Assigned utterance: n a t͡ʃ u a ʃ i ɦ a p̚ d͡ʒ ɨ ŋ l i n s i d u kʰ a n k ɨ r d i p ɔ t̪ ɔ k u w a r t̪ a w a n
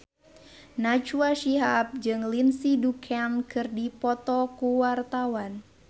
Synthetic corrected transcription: n a t͡ʃ u a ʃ i ɦ a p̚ d͡ʒ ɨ ŋ l i n s i d u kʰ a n k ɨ r d i p ɔ t̪ ɔ k u w a r t̪ a w a n